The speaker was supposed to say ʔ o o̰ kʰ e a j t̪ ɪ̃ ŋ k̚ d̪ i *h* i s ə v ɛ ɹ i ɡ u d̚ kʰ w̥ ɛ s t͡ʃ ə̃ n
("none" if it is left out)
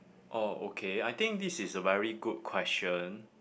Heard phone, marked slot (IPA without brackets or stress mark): s